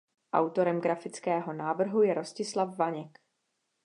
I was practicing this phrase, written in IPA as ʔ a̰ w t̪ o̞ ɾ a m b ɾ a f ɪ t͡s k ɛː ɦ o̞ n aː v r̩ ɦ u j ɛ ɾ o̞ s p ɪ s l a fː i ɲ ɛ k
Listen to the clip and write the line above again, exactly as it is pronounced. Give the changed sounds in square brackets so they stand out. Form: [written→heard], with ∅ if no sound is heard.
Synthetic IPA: ʔ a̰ w t̪ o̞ ɾ [a→ɛ] m [b→ɡ] ɾ a f ɪ t͡s k ɛː ɦ o̞ n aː v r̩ ɦ u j ɛ ɾ o̞ s [p→c] ɪ s l a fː [i→a] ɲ ɛ k